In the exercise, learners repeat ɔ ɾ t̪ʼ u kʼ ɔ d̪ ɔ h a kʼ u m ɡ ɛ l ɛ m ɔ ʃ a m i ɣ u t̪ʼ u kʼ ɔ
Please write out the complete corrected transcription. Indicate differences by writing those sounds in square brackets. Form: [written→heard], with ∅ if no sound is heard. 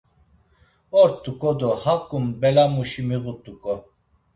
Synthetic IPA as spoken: ɔ ɾ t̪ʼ u kʼ ɔ d̪ ɔ h a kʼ u m [ɡ→b] ɛ l [ɛ→a] m [ɔ→u] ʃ [a→i] m i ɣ u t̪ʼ u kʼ ɔ